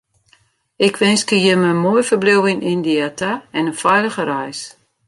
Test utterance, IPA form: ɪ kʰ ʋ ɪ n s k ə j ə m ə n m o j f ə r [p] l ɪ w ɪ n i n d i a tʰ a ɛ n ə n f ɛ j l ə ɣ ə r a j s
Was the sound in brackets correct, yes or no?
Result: no